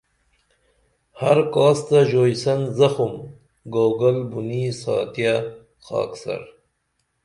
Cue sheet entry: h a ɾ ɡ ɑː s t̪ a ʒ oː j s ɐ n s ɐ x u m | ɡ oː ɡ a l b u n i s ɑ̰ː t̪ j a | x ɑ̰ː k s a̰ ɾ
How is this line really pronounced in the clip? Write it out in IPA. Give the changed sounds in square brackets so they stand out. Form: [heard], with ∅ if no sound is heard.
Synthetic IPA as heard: h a ɾ [k] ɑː s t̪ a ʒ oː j s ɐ n [z] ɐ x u m | ɡ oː ɡ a l b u n i s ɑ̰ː t̪ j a | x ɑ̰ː k s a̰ ɾ